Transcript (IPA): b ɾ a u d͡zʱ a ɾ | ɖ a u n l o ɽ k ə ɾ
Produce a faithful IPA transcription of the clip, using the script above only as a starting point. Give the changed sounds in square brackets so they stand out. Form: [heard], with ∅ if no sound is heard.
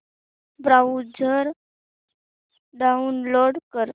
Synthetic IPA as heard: b ɾ a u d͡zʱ [ə] ɾ | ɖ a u n l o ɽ k ə ɾ